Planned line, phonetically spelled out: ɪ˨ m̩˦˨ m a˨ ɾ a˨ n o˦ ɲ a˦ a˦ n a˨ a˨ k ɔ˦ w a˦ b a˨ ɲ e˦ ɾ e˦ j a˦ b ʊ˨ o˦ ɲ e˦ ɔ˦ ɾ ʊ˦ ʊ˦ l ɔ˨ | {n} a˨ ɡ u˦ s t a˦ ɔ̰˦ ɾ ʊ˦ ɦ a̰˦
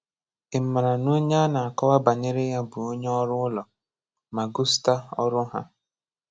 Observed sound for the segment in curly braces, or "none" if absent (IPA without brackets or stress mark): m